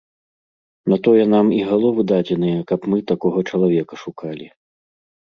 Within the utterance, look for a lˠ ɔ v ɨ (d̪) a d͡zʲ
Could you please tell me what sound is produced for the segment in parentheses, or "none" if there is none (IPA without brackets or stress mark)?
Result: d̪